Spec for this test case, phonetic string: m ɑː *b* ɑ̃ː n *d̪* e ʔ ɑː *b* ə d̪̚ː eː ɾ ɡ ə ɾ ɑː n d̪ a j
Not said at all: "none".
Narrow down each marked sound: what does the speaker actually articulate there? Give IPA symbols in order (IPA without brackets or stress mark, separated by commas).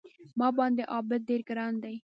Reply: b, d̪, b